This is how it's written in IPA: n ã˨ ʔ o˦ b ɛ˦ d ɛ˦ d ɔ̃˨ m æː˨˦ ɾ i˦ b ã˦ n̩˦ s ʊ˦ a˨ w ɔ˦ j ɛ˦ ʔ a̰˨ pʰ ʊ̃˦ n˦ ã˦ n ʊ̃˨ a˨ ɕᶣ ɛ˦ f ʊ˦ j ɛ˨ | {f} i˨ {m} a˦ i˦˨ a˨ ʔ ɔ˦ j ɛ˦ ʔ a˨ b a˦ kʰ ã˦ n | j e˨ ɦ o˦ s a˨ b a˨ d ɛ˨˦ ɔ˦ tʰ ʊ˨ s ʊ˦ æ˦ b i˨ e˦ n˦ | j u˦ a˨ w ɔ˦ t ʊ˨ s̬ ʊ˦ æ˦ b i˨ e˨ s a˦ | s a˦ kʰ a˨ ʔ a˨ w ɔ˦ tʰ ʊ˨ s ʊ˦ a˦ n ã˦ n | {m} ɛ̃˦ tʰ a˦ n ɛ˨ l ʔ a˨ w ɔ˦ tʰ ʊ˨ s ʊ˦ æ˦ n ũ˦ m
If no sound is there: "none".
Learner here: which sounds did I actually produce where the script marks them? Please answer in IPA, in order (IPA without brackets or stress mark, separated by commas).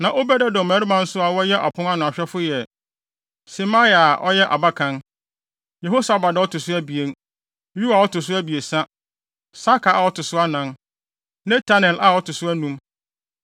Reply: s, m, n